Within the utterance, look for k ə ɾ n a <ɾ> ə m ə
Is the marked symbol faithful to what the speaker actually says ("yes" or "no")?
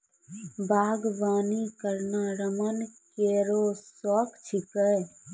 yes